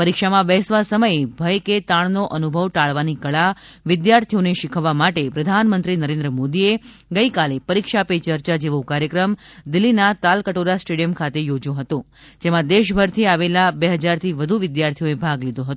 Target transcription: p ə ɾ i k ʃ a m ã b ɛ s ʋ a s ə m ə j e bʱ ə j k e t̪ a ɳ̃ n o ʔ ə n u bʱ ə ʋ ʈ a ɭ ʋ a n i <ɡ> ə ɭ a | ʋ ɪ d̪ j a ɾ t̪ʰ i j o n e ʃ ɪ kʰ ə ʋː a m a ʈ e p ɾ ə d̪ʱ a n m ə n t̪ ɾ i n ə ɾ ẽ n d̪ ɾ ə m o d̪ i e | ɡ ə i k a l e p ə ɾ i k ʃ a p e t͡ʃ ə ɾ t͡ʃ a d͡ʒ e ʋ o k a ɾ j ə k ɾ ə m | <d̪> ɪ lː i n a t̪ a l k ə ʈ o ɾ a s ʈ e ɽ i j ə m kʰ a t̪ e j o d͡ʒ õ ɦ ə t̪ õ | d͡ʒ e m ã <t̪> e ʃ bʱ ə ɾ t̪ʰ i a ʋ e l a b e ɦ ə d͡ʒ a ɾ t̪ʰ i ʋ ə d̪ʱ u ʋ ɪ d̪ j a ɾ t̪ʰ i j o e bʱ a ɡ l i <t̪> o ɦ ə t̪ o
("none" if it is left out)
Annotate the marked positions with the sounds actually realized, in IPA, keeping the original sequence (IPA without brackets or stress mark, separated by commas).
k, d̪, d̪, d̪